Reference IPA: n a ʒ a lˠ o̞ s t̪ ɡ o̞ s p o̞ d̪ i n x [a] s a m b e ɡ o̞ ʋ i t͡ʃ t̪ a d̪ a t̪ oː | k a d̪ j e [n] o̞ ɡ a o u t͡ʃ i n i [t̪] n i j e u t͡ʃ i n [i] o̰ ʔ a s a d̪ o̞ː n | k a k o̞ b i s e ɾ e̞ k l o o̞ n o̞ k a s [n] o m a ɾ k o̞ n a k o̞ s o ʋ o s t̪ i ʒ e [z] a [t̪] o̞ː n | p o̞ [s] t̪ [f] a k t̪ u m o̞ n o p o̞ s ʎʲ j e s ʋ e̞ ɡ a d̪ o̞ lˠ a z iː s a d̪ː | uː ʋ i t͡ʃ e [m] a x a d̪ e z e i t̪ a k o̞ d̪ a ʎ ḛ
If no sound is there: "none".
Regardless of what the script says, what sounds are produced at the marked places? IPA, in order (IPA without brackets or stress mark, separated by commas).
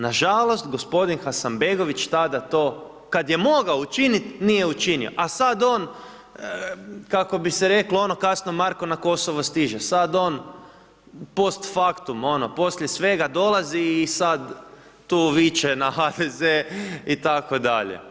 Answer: a, m, t̪, i, n, s, d̪, s, f, n